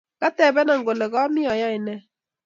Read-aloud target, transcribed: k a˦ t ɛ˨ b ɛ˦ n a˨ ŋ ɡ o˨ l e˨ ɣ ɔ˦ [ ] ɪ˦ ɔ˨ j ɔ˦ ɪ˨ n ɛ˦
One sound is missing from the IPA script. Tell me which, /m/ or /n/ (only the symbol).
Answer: m